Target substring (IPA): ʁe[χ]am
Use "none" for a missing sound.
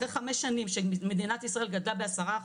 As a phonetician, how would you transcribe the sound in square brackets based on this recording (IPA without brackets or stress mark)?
χ